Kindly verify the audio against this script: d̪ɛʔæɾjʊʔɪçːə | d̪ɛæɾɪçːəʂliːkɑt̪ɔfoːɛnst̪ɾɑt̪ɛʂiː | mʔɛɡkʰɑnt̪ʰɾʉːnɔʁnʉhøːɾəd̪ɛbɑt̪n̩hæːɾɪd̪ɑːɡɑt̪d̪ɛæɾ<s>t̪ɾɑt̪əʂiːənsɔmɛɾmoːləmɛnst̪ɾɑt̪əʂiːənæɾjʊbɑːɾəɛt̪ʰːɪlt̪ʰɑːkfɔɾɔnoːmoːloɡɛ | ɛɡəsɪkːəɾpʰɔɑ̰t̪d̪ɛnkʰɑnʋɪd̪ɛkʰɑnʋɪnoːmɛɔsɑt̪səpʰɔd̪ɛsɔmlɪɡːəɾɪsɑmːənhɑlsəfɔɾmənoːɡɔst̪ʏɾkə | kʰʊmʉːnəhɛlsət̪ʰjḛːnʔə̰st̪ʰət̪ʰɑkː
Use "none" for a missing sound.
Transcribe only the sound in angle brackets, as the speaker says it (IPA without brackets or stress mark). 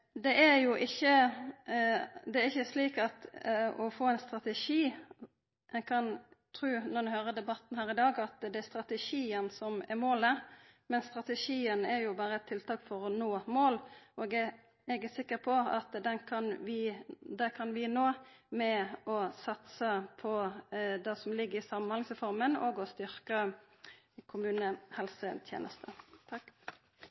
s